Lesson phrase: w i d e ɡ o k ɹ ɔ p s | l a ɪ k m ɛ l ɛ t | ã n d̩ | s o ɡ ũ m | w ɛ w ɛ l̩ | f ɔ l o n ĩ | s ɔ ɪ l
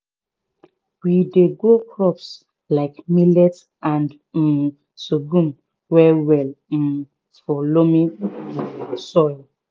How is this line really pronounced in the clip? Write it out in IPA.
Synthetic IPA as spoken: w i d e ɡ o k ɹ ɔ p s | l a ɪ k m i l ɛ t | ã n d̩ | s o ɡ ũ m | w ɛ w ɛ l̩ | f ɔ l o m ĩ | s ɔ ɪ l